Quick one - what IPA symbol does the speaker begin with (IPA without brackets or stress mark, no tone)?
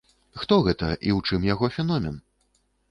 x